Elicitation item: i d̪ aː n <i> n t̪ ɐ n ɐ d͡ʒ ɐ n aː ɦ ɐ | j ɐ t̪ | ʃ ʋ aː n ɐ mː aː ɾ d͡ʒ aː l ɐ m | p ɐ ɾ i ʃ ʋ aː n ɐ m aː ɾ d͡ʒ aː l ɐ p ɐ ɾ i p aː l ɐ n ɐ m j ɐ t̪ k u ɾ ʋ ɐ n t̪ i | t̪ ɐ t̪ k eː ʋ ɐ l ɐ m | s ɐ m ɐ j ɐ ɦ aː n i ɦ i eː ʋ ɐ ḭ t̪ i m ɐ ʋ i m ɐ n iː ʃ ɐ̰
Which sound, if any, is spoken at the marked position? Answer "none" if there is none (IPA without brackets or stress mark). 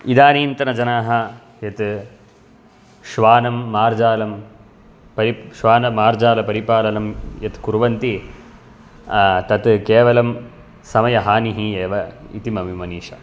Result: iː